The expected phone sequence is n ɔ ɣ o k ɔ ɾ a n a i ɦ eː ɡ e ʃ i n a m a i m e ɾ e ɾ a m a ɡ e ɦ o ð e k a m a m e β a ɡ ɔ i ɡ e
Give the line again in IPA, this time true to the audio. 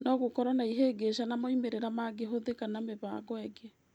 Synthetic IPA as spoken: n ɔ ɣ o k ɔ ɾ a n a i ɦ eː ɡ e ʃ a n a m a i m e ɾ e ɾ a m a ɡ e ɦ o ð e k a n a m e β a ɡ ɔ ɛ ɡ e